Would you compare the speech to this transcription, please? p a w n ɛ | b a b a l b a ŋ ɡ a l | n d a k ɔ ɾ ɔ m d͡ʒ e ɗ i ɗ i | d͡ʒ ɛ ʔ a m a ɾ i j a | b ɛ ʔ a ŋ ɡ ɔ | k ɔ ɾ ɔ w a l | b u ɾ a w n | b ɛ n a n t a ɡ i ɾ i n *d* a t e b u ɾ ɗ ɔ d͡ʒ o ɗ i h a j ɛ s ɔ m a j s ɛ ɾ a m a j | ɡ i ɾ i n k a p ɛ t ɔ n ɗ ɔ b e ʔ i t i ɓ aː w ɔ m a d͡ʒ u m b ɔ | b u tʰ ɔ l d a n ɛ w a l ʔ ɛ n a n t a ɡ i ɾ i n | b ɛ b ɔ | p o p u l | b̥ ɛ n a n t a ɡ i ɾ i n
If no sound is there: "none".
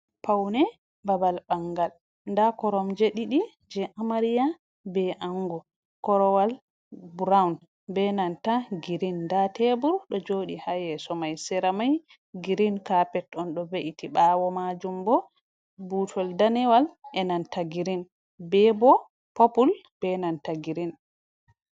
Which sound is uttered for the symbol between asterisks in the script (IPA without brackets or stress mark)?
d